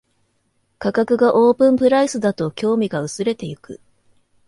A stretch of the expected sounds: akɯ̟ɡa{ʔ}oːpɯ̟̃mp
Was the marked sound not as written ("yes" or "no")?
no